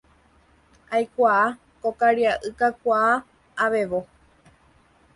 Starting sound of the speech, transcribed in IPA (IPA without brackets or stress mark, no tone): a